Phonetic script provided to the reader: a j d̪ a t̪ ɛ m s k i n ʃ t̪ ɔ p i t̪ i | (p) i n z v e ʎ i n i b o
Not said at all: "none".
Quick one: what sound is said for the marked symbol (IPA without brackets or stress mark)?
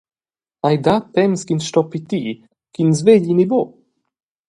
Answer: k